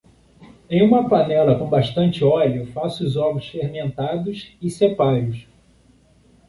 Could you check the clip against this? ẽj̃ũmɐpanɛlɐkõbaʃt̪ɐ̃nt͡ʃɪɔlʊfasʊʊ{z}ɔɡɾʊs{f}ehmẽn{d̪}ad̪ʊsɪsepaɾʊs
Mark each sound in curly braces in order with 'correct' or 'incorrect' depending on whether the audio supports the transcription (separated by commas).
correct, correct, incorrect